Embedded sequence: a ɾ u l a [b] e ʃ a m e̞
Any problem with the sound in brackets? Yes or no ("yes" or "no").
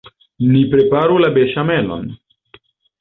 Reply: no